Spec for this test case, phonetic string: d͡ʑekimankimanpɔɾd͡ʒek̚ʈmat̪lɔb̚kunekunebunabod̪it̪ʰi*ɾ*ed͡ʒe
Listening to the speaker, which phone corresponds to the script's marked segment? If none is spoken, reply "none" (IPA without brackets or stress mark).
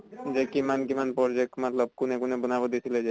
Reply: l